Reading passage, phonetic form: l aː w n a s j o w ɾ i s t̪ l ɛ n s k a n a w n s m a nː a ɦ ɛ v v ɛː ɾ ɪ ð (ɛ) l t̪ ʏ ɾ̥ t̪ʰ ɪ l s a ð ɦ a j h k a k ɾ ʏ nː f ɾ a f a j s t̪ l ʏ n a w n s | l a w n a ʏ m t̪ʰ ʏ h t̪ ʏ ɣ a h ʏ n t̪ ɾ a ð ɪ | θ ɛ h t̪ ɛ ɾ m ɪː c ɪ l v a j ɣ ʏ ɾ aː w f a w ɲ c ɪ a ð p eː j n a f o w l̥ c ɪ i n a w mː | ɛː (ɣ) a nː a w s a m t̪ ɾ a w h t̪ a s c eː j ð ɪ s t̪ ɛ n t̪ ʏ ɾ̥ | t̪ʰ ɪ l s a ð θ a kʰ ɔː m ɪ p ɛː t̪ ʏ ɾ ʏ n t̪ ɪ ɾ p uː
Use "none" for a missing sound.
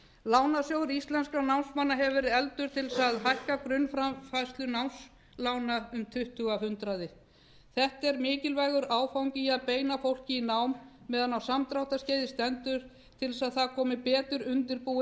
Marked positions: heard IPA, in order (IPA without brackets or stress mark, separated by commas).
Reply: ɛ, ð